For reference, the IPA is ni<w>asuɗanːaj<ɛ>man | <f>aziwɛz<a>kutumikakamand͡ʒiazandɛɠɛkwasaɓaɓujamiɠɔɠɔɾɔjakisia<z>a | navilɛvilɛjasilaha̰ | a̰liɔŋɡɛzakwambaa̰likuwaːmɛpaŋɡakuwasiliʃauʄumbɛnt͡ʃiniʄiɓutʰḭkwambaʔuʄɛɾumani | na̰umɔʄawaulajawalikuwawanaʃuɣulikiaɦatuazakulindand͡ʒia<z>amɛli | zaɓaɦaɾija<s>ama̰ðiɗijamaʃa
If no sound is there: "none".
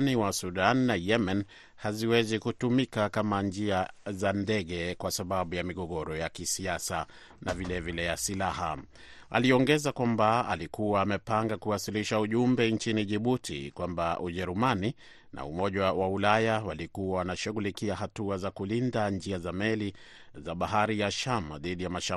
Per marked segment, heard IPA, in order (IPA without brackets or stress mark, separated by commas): w, ɛ, h, i, s, z, ʃ